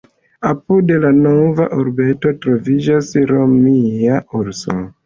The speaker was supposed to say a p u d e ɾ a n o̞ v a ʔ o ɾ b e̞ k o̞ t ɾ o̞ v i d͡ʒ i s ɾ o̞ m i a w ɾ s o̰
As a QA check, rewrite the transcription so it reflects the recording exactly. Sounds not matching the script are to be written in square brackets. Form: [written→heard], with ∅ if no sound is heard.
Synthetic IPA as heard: a p u d e [ɾ→l] a n o̞ v a ʔ o ɾ b e̞ [k→t] o̞ t ɾ o̞ v i d͡ʒ [i→a] s ɾ o̞ m i a [w→u] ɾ s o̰